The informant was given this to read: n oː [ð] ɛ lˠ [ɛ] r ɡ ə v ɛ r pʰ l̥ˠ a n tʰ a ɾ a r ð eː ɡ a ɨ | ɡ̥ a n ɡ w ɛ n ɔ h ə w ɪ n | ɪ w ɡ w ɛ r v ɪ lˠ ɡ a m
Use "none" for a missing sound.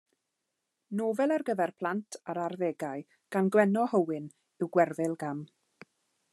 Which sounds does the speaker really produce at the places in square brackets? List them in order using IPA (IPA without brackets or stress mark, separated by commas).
v, a